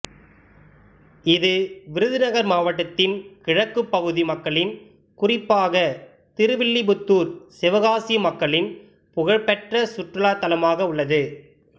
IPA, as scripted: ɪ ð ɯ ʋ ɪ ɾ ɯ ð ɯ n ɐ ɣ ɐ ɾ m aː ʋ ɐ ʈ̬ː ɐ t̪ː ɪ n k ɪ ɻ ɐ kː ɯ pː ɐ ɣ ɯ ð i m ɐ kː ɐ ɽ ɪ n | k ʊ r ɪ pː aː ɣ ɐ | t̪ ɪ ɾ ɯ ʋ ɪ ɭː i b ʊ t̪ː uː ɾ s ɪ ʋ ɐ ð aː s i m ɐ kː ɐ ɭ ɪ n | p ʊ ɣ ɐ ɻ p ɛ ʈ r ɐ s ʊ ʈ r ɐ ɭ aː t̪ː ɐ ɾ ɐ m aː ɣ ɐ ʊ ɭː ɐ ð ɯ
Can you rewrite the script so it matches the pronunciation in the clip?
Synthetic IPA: ɪ ð ɯ ʋ ɪ ɾ ɯ ð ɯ n ɐ ɣ ɐ ɾ m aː ʋ ɐ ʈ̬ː ɐ t̪ː ɪ n k ɪ ɻ ɐ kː ɯ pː ɐ ɣ ɯ ð i m ɐ kː ɐ ɭ ɪ n | k ʊ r ɪ pː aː ɣ ɐ | t̪ ɪ ɾ ɯ ʋ ɪ ɭː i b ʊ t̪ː uː ɾ s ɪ ʋ ɐ ɣ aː s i m ɐ kː ɐ ɭ ɪ n | p ʊ ɣ ɐ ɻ p ɛ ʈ r ɐ s ʊ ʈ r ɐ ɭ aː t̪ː ɐ l ɐ m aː ɣ ɐ ʊ ɭː ɐ ð ɯ